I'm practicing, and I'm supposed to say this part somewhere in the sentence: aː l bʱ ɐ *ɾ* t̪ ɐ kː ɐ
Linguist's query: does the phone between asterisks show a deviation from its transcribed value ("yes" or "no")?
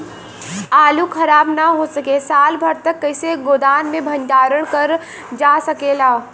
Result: no